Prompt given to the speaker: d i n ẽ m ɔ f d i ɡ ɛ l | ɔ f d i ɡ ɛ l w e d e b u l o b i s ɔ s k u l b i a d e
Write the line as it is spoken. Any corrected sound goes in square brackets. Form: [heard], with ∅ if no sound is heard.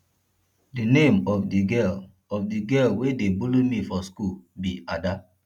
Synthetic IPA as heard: d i n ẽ m ɔ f d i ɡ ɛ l | ɔ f d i ɡ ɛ l w e d e b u l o [m] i [f] ɔ s k u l b i a d [a]